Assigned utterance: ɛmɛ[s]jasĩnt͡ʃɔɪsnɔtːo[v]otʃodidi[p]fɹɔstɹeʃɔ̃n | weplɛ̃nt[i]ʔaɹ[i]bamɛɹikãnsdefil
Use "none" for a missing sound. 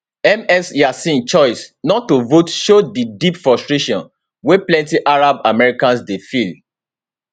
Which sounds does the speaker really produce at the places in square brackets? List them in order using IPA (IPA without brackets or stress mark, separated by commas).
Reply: s, v, p, i, a